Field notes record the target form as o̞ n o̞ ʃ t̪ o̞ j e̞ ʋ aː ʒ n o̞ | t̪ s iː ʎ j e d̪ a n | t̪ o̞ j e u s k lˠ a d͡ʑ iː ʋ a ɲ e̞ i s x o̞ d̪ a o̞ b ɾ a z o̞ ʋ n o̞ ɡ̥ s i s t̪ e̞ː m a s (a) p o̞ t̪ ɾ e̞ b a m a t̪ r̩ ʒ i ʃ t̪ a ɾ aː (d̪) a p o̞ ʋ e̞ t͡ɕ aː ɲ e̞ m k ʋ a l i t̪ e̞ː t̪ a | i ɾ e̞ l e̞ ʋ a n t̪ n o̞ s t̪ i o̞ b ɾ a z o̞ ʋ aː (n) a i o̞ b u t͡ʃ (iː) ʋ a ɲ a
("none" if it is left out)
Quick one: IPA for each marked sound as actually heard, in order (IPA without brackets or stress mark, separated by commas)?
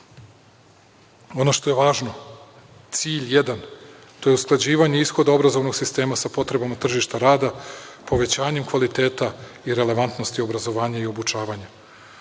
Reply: a, d̪, ɲ, aː